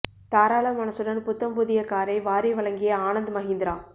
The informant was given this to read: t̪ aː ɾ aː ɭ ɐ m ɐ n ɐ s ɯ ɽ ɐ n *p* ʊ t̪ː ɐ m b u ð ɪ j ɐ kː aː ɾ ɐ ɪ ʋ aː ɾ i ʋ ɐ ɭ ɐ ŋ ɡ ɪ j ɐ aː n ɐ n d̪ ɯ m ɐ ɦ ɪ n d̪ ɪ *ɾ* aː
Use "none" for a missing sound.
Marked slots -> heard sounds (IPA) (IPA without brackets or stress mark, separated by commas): p, ɾ